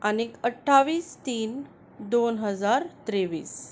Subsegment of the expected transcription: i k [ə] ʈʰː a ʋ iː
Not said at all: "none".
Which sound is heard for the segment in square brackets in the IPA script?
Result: ə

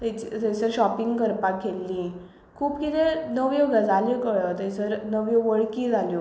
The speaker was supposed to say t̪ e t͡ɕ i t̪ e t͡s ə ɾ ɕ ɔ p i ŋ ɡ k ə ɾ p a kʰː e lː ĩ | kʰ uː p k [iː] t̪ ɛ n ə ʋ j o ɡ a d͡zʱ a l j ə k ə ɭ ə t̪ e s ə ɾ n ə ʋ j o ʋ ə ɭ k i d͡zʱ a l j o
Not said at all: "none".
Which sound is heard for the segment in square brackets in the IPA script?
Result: i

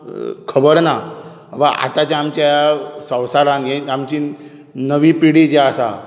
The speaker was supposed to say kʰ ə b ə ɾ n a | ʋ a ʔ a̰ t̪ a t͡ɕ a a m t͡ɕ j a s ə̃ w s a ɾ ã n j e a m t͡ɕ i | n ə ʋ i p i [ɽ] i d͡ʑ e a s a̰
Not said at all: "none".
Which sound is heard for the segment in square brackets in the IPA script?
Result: ɽ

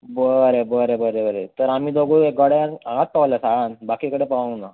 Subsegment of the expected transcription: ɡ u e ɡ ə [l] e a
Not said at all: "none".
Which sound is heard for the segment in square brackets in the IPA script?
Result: ɽ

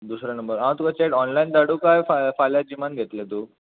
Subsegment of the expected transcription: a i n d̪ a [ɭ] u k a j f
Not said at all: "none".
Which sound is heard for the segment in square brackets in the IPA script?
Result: ɽ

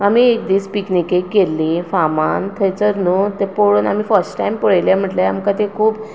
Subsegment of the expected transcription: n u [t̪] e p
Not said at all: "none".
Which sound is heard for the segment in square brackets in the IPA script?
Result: t̪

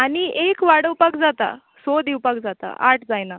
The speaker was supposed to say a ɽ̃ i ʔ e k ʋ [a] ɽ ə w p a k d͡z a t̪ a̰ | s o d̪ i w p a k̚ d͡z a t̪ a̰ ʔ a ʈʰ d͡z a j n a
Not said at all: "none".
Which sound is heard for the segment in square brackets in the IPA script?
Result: a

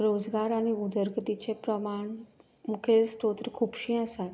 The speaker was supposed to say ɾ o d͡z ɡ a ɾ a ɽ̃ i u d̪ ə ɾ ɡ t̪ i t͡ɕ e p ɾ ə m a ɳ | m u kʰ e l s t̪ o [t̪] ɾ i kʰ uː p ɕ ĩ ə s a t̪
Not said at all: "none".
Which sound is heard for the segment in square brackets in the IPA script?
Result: t̪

